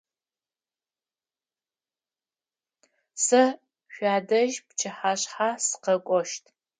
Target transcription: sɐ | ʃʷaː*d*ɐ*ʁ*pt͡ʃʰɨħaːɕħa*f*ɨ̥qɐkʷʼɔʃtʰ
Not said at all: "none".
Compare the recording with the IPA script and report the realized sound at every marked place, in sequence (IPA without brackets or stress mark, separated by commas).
d, ʒ, s